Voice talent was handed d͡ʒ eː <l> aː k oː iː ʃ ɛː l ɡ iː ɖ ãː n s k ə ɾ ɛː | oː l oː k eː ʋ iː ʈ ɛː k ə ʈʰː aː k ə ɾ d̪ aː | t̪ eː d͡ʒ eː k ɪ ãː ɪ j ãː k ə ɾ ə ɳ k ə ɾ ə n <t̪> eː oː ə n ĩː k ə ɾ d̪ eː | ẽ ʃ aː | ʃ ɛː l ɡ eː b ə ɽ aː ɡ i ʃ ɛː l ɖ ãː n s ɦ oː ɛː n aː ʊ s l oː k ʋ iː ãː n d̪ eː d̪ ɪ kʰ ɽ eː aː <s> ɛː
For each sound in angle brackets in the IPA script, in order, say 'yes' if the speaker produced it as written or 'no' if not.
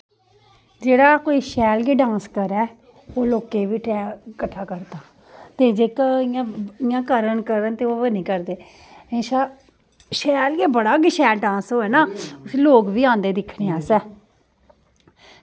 no, yes, yes

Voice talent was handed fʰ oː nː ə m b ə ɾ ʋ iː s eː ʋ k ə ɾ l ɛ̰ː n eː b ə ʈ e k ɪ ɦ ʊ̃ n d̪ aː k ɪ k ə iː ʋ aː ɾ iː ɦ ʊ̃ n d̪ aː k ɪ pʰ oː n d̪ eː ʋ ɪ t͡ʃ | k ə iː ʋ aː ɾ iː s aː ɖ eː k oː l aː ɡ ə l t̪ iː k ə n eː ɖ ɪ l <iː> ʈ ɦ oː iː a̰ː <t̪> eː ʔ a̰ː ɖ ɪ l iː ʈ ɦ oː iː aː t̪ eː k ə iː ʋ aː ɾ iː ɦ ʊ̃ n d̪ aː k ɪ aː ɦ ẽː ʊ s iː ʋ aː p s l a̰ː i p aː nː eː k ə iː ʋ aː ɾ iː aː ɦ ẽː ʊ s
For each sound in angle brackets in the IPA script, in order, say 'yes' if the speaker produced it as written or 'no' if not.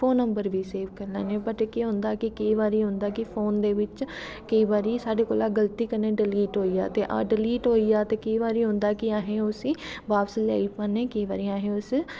yes, yes

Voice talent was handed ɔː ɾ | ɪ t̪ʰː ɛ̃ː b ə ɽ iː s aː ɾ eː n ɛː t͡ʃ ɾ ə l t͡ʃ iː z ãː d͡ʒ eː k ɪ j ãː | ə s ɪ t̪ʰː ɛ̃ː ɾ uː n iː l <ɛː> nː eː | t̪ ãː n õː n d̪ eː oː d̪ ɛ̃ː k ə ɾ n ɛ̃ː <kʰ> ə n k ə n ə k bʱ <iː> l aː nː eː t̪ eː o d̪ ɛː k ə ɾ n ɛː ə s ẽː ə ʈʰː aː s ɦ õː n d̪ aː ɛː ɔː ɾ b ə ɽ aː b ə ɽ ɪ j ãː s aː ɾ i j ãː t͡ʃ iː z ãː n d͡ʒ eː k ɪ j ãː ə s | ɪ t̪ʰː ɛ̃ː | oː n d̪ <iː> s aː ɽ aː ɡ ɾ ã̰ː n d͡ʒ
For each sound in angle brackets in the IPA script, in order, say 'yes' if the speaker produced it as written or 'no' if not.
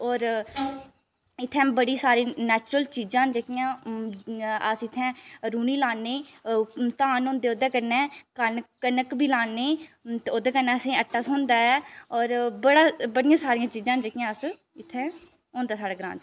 no, no, yes, no

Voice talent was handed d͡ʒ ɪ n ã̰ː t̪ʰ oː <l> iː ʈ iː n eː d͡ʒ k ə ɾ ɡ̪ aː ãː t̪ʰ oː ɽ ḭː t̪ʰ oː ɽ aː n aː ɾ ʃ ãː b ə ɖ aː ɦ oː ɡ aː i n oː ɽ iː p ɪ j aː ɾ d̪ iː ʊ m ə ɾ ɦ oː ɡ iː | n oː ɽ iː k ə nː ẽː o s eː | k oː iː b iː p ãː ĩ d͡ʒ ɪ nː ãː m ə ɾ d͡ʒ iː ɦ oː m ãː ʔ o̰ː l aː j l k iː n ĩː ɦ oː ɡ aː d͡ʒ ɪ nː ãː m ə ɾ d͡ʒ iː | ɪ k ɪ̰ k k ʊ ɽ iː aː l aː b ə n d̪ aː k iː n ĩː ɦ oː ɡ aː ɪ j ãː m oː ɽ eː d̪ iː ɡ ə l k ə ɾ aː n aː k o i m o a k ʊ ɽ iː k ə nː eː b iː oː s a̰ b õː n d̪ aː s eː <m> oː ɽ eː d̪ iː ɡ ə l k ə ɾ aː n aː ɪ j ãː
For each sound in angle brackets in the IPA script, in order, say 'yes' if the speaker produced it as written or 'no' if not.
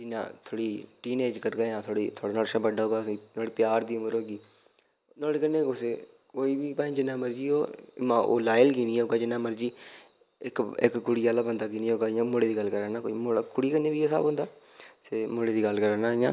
no, yes

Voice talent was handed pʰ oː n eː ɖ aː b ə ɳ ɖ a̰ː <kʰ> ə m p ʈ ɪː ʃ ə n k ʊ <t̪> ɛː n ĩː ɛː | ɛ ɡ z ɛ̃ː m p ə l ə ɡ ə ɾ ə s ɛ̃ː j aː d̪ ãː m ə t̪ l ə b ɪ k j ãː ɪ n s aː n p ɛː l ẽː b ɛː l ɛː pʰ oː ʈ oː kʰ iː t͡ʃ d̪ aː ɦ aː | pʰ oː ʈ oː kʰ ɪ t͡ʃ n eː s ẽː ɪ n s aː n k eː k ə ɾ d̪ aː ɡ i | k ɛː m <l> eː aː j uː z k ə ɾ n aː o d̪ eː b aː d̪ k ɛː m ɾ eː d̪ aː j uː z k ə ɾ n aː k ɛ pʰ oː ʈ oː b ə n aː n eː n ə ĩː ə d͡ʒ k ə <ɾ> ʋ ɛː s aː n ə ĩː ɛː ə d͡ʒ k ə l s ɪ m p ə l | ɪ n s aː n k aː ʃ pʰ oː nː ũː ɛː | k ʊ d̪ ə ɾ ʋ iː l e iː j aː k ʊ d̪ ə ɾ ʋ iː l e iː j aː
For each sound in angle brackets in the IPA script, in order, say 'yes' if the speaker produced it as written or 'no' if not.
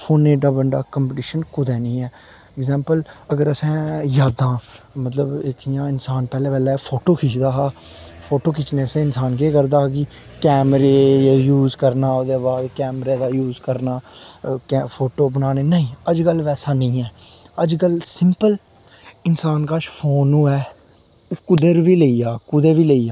no, no, no, no

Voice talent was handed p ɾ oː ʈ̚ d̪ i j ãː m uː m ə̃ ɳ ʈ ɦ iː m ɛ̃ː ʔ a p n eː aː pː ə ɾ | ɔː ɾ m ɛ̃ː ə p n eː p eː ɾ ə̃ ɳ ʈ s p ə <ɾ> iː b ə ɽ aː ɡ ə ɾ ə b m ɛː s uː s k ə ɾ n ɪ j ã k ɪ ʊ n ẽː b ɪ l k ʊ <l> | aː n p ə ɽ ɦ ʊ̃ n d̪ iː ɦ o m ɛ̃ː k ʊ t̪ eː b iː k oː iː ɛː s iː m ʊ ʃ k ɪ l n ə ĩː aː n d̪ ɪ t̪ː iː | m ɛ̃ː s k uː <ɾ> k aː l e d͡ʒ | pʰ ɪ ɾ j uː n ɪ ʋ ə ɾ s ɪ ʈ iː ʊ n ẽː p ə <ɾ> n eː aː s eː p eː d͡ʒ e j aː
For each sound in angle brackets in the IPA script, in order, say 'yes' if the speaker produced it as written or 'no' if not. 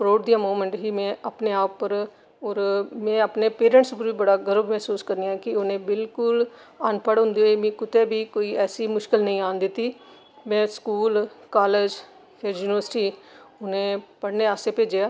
yes, yes, no, no

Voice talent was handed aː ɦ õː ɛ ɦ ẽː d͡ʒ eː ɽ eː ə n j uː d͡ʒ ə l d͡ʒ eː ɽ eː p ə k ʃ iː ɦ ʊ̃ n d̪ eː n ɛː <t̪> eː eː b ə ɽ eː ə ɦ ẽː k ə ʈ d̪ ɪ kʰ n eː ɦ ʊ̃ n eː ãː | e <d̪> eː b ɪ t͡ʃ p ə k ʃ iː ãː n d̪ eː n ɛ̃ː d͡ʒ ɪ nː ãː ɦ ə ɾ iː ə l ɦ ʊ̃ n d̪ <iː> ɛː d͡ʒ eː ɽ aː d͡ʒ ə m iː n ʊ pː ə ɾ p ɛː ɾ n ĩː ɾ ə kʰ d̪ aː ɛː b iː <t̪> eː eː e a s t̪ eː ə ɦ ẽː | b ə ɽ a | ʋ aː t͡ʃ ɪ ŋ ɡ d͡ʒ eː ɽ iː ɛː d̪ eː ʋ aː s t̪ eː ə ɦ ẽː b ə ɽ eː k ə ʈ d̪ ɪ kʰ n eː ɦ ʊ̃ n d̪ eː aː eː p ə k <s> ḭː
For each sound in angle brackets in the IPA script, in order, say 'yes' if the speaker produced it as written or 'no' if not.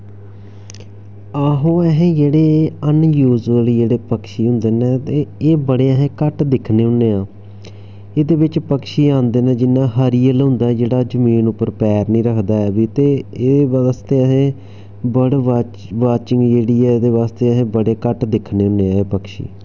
yes, yes, no, yes, no

